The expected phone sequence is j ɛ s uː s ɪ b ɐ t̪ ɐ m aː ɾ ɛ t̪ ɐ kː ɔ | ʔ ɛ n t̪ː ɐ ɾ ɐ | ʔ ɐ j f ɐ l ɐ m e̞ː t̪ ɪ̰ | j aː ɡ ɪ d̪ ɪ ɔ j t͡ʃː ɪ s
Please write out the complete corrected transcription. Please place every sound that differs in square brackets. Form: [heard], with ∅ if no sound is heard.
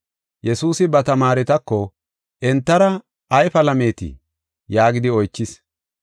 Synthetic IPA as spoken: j ɛ s uː s ɪ b ɐ t̪ ɐ m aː ɾ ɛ t̪ ɐ kː ɔ | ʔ ɛ n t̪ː ɐ ɾ ɐ | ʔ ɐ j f ɐ l ɐ m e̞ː t̪ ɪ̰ | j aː ɡ ɪ d̪ ɪ ɔ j t͡ʃː ɪ s